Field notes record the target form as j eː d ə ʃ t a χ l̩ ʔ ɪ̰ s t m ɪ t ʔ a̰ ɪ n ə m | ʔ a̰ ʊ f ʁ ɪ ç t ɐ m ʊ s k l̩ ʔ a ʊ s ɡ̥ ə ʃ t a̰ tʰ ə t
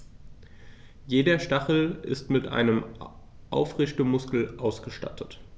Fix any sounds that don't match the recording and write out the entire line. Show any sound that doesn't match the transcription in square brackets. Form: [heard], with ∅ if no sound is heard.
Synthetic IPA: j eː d [ɐ] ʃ t a χ l̩ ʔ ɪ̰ s t m ɪ t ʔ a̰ ɪ n ə m | ʔ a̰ ʊ f ʁ ɪ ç t [ə] m ʊ s k l̩ ʔ a ʊ s ɡ̥ ə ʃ t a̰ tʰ ə t